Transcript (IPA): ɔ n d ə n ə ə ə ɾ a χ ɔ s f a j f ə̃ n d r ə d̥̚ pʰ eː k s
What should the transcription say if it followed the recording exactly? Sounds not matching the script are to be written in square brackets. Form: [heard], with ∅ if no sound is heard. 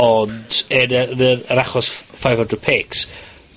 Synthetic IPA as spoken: ɔ n d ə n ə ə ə ɾ a χ ɔ s f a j [v] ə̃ n d r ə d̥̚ pʰ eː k s